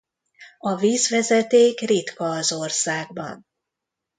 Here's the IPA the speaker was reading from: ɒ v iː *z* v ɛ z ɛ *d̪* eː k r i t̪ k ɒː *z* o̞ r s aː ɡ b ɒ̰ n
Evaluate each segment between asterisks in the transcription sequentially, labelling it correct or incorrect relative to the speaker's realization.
correct, incorrect: t̪, correct

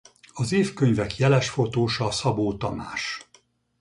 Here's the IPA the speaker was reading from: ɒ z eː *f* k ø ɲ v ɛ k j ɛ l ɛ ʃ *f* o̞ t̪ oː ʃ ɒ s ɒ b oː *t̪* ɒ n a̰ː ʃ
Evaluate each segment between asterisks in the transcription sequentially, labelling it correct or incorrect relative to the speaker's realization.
correct, correct, correct

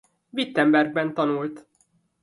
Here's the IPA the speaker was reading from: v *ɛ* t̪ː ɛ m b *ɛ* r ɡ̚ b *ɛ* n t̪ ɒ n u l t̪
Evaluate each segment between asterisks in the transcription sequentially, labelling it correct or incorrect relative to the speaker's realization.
incorrect: i, correct, correct

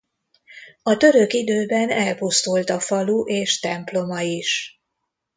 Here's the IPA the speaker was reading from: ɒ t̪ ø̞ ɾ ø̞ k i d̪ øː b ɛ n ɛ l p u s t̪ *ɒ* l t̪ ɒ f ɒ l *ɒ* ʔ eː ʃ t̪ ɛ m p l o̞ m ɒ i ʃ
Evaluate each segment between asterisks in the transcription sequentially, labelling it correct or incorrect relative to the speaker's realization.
incorrect: u, incorrect: u

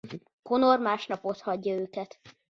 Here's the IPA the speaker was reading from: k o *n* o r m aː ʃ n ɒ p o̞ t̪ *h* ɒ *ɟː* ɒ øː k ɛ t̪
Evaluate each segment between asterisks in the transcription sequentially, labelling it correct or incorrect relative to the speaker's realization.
correct, correct, correct

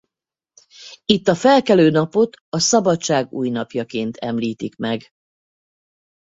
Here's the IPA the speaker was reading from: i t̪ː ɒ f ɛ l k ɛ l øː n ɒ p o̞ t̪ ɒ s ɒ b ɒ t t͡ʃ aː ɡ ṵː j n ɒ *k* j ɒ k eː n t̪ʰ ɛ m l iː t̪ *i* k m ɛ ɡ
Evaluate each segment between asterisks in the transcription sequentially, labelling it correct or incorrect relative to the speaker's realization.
incorrect: p, correct

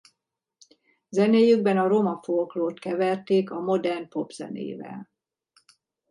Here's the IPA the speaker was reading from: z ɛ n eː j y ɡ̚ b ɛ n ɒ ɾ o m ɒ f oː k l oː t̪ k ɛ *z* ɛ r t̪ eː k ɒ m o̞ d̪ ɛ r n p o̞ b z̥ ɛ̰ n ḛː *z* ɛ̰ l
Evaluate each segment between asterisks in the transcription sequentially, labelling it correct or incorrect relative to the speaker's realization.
incorrect: v, incorrect: v

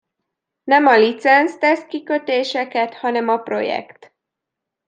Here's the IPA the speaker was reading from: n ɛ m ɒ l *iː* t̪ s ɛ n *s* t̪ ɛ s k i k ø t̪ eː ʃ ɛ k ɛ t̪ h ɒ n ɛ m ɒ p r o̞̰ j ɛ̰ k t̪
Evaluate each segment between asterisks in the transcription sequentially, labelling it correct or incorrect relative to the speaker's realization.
incorrect: i, correct

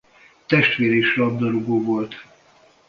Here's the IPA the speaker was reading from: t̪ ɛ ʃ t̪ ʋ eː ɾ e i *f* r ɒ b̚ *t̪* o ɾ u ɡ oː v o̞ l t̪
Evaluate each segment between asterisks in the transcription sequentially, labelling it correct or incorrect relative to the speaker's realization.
incorrect: ʃ, incorrect: d̪

